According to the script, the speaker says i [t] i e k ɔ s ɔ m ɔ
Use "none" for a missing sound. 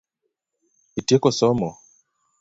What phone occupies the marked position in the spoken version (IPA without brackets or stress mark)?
t